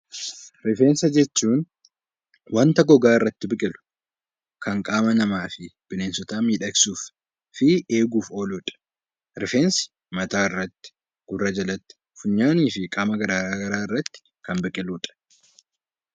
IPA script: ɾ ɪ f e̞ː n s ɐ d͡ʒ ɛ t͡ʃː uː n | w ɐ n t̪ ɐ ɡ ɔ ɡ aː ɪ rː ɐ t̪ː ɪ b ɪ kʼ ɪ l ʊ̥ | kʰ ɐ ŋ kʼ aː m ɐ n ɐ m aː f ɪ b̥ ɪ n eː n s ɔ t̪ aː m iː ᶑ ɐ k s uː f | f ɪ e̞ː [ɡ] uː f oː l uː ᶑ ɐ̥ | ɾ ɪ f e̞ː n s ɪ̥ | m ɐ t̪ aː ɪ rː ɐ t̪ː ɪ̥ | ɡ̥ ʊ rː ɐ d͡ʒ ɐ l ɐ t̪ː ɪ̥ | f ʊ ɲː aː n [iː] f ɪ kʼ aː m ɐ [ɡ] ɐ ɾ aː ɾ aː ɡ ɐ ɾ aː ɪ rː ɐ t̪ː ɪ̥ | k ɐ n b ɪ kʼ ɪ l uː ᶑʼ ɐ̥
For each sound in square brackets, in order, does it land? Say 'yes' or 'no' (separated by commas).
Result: yes, yes, yes